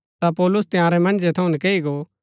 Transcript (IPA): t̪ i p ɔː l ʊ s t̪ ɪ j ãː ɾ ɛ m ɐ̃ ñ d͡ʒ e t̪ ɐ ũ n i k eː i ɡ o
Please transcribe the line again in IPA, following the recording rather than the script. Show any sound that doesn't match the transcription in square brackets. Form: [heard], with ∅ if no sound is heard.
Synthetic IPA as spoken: t̪ [a] p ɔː l ʊ s t̪ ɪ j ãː ɾ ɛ m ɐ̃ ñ d͡ʒ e [t̪ʰ] ɐ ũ n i k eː i ɡ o